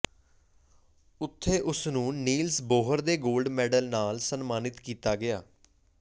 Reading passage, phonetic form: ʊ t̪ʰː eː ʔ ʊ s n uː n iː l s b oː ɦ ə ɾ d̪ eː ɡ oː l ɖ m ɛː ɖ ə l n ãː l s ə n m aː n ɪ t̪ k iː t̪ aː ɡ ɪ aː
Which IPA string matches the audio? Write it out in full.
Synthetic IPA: ʊ t̪ʰː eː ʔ ʊ s n ũː n iː l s b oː ɦ ə ɾ d̪ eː ɡ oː l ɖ m ɛː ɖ ə l n aː l s ə n m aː n ɪ t̪ k iː t̪ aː ɡ ɪ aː